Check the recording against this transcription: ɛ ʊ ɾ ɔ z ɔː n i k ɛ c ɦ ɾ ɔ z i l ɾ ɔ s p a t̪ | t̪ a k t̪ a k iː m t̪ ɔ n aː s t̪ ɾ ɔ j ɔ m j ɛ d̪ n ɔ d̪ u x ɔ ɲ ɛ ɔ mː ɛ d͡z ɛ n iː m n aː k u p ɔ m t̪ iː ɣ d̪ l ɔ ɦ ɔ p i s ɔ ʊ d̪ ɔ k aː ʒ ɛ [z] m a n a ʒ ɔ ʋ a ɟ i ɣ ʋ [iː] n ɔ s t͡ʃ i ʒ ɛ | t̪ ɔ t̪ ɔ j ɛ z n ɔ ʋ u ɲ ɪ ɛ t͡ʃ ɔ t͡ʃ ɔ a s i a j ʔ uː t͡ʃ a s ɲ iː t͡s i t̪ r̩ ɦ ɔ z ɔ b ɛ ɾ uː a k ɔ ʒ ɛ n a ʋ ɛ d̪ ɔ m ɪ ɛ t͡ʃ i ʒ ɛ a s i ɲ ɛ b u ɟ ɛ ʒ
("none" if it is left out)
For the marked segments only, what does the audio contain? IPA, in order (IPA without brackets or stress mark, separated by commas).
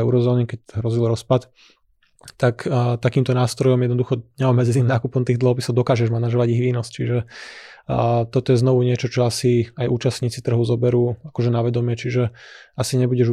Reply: ʒ, iː